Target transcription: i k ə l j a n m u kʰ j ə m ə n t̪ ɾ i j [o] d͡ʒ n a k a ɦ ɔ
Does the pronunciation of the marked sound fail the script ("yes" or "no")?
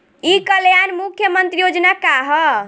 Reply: no